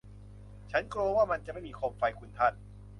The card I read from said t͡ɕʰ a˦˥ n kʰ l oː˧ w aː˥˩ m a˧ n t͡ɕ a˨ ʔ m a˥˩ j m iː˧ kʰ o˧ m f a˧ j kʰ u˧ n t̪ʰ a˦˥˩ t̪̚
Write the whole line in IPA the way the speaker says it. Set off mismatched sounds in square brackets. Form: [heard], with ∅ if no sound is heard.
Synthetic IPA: t͡ɕʰ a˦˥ n [k] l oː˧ w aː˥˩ m a˧ n t͡ɕ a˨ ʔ m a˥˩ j m iː˧ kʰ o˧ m f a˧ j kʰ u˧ n t̪ʰ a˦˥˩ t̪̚